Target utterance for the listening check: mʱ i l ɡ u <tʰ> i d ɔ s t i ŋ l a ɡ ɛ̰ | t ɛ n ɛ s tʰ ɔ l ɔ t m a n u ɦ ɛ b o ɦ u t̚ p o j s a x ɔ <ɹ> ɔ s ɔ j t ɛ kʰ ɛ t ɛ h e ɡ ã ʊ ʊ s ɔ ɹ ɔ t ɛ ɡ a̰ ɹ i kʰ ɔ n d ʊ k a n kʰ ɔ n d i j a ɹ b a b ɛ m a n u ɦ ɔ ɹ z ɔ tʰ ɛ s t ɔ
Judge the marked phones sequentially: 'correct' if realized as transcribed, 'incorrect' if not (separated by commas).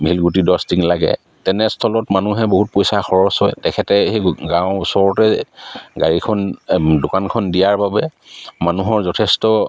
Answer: incorrect, correct